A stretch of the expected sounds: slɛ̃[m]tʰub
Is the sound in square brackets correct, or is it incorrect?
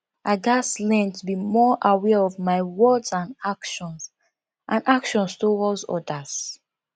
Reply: incorrect: n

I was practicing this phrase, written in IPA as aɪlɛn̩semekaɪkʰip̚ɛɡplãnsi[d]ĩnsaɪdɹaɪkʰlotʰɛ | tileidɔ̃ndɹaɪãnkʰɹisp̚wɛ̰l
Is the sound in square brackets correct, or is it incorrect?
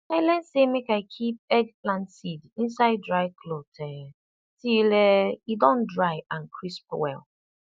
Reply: correct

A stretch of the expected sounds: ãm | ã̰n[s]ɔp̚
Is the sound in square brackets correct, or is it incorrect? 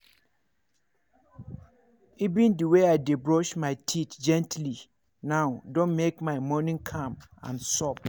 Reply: correct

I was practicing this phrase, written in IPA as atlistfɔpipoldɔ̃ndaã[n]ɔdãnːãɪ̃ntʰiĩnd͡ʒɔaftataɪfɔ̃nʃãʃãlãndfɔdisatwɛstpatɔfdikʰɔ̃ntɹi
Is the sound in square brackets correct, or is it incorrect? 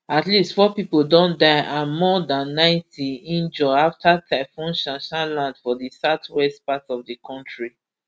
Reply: incorrect: m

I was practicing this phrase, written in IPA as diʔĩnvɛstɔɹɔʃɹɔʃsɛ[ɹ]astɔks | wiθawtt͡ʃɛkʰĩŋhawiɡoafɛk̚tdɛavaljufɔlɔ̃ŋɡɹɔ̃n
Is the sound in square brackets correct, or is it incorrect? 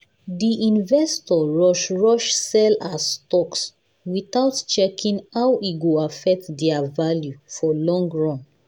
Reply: incorrect: l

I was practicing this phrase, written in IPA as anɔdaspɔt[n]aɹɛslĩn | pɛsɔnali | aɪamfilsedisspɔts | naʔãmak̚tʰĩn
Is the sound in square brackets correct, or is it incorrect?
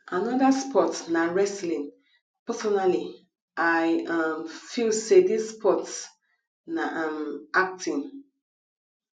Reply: correct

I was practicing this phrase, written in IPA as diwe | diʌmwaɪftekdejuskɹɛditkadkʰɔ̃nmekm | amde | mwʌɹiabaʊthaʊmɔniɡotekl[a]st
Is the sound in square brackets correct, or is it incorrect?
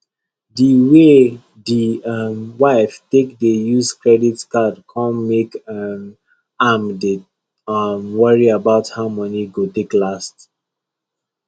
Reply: correct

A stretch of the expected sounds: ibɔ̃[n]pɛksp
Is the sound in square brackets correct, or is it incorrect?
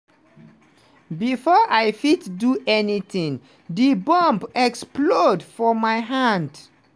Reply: incorrect: m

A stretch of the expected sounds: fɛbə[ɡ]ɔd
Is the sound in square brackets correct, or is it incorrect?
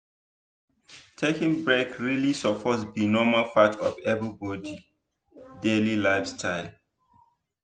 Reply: incorrect: b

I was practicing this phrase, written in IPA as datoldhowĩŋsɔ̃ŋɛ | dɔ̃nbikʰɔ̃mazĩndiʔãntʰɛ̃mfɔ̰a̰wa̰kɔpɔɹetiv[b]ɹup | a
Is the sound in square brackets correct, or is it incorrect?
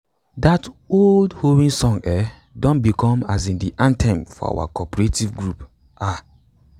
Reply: incorrect: ɡ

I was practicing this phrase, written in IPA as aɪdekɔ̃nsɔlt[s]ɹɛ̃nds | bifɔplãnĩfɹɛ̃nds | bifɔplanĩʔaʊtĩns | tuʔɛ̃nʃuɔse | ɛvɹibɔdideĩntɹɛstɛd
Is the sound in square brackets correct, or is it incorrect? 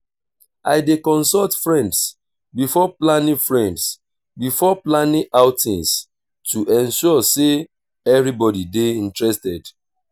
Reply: incorrect: f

